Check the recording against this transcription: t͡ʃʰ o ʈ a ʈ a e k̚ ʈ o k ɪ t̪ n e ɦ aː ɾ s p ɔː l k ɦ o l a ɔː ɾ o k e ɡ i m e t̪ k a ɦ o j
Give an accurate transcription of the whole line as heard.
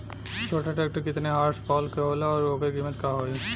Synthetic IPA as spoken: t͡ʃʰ o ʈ a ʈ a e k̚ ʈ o k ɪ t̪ n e ɦ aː ɾ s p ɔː l k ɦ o l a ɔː ɾ o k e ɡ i m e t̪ k a ɦ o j